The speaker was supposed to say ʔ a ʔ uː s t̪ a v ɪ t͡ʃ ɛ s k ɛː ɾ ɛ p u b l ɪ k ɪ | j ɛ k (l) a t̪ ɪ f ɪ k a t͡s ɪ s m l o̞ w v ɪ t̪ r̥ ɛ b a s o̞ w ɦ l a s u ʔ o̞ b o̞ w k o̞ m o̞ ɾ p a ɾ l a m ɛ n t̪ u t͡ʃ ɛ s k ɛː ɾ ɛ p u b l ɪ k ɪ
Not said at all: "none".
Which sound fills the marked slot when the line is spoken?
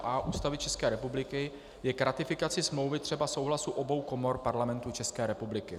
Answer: ɾ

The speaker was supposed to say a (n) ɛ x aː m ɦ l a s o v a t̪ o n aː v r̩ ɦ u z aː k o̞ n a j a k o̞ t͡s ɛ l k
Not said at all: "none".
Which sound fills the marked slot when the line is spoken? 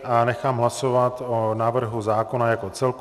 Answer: n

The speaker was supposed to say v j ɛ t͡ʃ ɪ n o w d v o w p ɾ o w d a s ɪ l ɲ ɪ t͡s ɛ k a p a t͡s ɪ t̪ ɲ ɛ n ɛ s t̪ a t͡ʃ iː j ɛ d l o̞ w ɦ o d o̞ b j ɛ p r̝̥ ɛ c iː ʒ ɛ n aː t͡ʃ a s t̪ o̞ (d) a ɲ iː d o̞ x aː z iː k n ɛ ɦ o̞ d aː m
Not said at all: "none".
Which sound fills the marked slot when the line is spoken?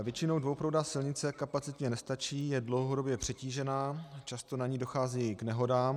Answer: n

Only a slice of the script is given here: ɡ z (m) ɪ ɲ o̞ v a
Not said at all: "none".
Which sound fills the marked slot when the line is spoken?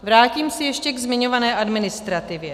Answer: m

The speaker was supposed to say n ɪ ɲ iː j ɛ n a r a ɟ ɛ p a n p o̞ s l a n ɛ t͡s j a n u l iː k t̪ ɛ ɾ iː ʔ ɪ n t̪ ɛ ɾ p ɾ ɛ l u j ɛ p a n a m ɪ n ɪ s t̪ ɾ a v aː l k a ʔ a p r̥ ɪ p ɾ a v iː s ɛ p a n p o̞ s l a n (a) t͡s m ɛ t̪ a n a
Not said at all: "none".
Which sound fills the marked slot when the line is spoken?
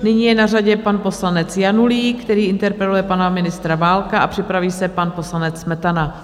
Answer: ɛ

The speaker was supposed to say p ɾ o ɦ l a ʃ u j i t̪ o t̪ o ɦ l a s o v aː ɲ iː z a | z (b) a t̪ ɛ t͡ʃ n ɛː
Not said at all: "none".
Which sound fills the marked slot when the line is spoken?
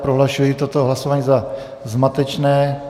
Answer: m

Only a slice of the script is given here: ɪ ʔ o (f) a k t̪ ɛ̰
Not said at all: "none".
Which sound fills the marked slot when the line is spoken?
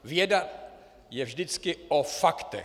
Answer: f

